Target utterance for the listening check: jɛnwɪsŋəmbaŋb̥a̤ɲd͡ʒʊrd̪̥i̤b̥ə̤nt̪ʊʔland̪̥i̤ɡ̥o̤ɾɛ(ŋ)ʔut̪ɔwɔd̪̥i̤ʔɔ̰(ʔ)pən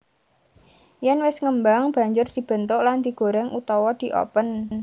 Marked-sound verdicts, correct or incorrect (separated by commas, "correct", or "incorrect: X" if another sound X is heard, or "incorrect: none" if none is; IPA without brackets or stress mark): correct, incorrect: none